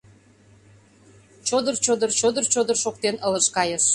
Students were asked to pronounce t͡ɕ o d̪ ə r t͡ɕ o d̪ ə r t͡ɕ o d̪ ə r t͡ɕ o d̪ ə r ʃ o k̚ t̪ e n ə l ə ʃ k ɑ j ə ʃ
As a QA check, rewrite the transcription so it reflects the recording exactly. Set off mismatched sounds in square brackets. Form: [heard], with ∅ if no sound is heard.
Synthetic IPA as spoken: t͡ɕ o d̪ ə r t͡ɕ o d̪ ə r t͡ɕ o d̪ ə r t͡ɕ o d̪ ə r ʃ o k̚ t̪ e n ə l ə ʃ k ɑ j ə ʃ